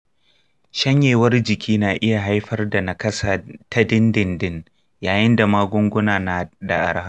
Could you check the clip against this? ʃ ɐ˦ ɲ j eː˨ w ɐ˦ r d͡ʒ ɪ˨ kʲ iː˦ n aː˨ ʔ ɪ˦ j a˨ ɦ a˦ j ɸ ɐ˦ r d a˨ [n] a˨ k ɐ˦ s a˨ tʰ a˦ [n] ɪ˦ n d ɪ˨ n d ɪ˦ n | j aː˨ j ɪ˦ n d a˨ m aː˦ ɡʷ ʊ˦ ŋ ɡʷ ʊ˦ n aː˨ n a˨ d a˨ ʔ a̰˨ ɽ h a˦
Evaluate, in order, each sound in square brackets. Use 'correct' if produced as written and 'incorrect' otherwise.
correct, incorrect: d

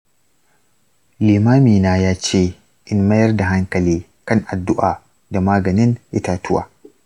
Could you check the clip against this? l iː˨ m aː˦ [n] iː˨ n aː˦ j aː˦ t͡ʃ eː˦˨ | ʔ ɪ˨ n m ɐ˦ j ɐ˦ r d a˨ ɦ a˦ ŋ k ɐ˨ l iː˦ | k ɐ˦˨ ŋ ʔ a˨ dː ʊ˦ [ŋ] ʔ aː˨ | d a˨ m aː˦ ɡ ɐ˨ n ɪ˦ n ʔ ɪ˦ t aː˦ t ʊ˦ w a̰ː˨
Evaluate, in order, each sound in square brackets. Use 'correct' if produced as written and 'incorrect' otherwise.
incorrect: m, incorrect: none

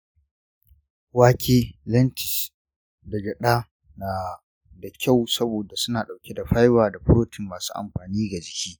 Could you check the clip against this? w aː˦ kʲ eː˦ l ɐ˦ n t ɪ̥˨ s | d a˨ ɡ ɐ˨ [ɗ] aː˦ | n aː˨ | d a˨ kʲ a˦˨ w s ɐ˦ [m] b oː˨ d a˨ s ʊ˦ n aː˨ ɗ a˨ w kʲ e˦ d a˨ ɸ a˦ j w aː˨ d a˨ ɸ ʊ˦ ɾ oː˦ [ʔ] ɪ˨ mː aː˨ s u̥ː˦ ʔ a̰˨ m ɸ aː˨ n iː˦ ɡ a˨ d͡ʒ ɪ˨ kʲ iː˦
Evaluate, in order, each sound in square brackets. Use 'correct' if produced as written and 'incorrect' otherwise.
correct, incorrect: none, incorrect: t

